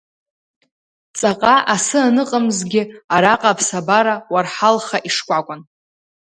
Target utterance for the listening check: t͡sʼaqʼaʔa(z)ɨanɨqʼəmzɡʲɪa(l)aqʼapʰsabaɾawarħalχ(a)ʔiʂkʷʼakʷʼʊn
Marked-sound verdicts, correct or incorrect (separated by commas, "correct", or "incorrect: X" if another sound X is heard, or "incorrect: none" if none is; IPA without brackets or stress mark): incorrect: s, incorrect: ɾ, correct